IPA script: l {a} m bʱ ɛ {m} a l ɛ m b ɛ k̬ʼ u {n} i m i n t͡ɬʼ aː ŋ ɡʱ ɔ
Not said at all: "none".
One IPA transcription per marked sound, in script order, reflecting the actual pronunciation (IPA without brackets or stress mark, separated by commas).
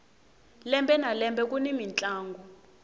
ɛ, n, n